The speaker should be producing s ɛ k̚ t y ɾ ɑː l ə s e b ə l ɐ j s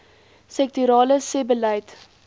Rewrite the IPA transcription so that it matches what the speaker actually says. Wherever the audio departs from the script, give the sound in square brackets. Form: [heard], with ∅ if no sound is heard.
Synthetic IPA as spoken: s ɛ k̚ t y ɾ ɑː l ə s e b ə l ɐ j [t]